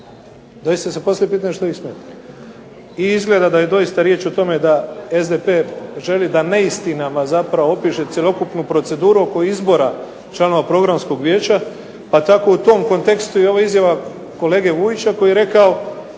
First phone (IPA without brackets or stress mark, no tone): d̪